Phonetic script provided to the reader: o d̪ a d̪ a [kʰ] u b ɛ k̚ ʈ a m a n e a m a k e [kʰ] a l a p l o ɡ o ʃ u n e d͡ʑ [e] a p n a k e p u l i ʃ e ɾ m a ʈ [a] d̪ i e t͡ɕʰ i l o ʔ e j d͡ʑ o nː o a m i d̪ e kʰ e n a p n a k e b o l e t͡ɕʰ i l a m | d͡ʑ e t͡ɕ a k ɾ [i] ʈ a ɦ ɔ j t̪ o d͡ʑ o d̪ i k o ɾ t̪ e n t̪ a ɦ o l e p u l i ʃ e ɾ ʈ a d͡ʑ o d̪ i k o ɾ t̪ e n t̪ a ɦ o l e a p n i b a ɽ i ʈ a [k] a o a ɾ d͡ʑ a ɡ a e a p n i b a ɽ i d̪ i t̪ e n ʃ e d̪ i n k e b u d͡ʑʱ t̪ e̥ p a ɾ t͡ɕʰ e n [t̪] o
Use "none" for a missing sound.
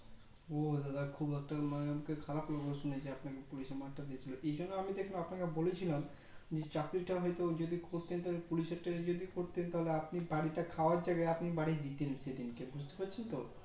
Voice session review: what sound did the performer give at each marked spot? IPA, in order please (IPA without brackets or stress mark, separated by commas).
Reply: kʰ, kʰ, e, a, i, kʰ, t̪